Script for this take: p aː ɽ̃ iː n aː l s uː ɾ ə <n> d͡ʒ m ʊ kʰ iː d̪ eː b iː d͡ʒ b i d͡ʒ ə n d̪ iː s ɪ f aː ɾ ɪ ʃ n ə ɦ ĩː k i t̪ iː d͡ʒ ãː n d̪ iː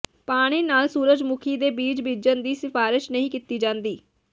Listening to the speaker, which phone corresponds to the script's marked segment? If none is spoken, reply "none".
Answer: none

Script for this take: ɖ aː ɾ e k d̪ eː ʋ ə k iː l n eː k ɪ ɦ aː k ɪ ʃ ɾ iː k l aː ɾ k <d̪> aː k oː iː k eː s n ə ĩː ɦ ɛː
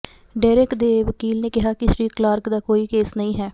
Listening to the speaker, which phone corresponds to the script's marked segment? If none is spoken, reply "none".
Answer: d̪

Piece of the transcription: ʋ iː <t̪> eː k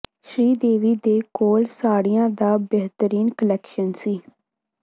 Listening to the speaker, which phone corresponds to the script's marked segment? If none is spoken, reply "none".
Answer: d̪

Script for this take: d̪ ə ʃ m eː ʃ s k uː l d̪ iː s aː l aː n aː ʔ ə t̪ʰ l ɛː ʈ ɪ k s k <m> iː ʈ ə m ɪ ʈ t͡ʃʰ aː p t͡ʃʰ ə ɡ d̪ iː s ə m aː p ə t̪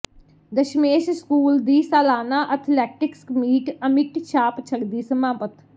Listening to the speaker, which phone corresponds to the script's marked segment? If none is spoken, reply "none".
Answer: m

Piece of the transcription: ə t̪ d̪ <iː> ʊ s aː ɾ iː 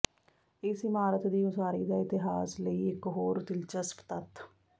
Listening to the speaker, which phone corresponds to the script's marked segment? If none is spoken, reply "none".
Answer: iː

